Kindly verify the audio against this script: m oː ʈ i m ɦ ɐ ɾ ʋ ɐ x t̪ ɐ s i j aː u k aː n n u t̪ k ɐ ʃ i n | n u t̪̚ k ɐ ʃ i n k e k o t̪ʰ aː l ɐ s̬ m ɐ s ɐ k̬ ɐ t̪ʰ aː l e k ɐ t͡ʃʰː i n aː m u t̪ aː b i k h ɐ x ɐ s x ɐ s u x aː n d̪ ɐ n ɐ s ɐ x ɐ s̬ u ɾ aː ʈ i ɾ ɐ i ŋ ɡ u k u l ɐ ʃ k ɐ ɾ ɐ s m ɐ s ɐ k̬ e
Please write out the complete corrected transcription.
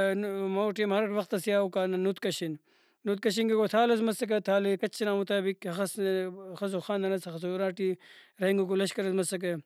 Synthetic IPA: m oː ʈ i m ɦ ɐ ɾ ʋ ɐ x t̪ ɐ s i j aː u k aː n n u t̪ k ɐ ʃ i n | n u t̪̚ k ɐ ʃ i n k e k o t̪ʰ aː l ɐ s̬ m ɐ s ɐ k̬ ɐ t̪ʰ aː l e k ɐ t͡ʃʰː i n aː m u t̪ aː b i k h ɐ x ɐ s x ɐ s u x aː n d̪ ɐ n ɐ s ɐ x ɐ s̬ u ɾ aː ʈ i ɾ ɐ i ŋ ɡ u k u l ɐ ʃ k ɐ ɾ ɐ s m ɐ s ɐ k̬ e